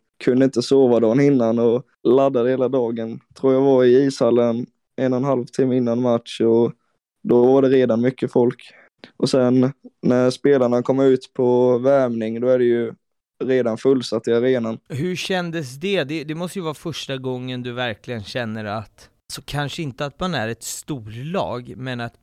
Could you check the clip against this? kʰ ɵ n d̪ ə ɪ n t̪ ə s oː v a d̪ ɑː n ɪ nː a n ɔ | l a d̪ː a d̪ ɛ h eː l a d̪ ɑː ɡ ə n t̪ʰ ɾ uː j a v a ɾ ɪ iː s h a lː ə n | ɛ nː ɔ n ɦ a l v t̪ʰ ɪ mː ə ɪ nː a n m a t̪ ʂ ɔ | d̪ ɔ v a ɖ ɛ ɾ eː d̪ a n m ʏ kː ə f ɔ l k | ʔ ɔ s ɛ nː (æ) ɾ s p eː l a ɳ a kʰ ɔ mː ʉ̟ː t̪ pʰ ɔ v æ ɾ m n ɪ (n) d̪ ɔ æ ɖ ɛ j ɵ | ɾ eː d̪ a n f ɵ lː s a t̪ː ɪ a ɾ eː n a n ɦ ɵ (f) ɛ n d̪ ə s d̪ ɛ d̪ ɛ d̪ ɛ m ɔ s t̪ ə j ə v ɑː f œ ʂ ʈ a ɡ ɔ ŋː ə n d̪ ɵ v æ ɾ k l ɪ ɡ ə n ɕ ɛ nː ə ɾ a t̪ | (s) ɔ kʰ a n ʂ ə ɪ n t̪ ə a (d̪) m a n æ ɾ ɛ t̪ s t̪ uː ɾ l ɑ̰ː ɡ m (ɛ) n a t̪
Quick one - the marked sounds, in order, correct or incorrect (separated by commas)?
correct, incorrect, incorrect, correct, incorrect, correct